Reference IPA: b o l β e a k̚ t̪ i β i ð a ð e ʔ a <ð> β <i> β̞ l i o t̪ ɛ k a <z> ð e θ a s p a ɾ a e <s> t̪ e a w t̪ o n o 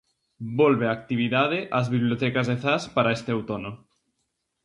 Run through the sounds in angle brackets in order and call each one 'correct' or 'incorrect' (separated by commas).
incorrect, correct, correct, correct